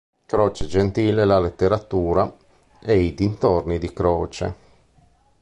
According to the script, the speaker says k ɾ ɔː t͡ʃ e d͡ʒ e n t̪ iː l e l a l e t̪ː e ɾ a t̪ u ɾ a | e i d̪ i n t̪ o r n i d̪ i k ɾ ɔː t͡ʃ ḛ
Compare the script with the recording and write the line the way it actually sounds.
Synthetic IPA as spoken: k ɾ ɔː t͡ʃ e d͡ʒ e n t̪ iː l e l a l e t̪ː e ɾ a t̪ uː ɾ a | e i d̪ i n t̪ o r n i d̪ i k ɾ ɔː t͡ʃ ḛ